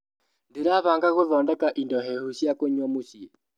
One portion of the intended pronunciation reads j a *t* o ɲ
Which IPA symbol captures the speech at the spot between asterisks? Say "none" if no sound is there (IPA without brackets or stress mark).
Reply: k